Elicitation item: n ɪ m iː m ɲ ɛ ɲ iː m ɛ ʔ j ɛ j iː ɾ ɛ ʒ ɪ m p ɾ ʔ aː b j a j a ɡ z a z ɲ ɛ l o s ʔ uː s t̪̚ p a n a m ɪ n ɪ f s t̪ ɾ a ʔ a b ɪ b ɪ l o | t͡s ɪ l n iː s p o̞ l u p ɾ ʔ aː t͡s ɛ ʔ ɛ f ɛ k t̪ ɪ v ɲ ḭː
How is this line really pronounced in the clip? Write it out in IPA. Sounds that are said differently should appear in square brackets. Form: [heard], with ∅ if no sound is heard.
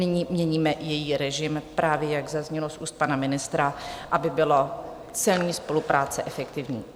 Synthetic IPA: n ɪ [ɲ] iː m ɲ ɛ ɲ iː m ɛ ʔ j ɛ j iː ɾ ɛ ʒ ɪ m p ɾ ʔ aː [v] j [ɛ] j a ɡ z a z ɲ ɛ l o s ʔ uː s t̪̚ p a n a m ɪ n ɪ [∅] s t̪ ɾ a ʔ a b ɪ b ɪ l o | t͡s ɪ l [ɲ] iː s p o̞ l u p ɾ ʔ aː t͡s ɛ ʔ ɛ f ɛ k t̪ ɪ v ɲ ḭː